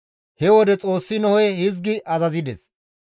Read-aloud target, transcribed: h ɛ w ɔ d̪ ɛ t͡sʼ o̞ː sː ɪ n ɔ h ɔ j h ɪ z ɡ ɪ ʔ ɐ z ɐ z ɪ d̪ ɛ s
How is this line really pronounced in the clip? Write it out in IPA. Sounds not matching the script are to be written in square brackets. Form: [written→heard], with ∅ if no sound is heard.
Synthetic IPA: h ɛ w ɔ d̪ ɛ t͡sʼ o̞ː sː ɪ n ɔ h ɔ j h ɪ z ɡ ɪ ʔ ɐ z ɐ z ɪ d̪ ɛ s